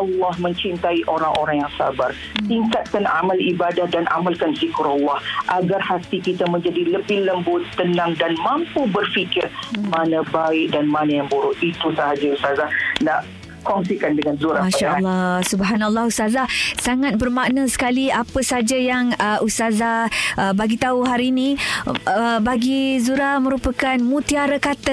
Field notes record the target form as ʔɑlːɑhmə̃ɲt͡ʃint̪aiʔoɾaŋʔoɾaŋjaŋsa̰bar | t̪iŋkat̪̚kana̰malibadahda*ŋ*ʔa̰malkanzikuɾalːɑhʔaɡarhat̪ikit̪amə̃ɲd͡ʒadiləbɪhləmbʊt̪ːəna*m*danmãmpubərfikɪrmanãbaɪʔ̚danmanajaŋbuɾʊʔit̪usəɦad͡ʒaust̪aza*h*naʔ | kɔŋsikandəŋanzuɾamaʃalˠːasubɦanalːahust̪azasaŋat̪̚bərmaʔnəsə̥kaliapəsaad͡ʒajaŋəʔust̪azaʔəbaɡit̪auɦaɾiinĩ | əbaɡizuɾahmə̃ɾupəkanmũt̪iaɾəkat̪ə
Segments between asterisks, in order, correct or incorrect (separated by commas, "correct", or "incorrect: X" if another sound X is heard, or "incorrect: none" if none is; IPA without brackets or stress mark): incorrect: n, incorrect: ŋ, correct